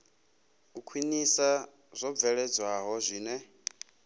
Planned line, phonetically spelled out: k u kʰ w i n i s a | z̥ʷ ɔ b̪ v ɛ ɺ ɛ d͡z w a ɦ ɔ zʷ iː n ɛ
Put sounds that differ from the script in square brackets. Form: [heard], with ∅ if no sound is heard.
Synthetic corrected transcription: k u kʰ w i n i s a | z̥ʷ ɔ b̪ v ɛ ɺ ɛ d͡z w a ɦ ɔ zʷ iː n ɛ